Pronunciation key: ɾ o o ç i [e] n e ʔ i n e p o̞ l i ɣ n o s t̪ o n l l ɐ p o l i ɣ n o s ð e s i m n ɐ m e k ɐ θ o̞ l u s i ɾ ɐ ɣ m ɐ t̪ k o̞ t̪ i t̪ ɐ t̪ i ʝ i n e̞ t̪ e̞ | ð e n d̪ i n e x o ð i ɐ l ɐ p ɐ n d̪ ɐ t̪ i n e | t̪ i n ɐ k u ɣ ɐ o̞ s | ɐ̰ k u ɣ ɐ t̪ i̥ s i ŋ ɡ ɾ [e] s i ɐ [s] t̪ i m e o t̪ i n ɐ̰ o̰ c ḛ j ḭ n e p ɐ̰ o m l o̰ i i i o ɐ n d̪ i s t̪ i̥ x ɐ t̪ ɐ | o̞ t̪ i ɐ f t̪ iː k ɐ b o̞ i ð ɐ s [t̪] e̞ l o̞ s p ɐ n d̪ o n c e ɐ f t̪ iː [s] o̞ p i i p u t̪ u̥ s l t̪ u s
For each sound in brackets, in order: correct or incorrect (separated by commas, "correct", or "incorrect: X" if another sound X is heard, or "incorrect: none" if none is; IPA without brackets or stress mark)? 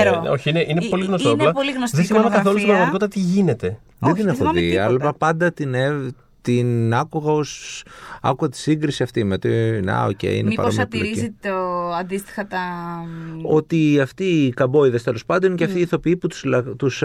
incorrect: i, incorrect: i, incorrect: f, correct, incorrect: θ